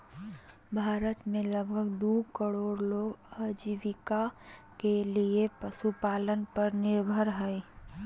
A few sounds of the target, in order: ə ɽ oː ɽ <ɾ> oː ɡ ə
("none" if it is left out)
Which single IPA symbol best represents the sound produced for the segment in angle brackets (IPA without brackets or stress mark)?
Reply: l